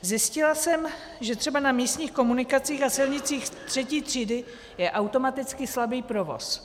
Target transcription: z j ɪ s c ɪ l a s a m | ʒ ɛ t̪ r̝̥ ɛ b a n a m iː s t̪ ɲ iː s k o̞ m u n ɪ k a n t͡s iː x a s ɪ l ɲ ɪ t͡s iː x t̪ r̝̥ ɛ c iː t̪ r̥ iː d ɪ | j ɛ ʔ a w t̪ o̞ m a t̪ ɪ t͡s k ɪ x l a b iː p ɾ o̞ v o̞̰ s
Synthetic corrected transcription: z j ɪ s c ɪ l a s ɛ m | ʒ ɛ t̪ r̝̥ ɛ b a n a m iː s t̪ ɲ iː x k o̞ m u n ɪ k a t͡s iː x a s ɪ l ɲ ɪ t͡s iː x t̪ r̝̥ ɛ c iː t̪ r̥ iː d ɪ | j ɛ ʔ a w t̪ o̞ m a t̪ ɪ t͡s k ɪ s l a b iː p ɾ o̞ v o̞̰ s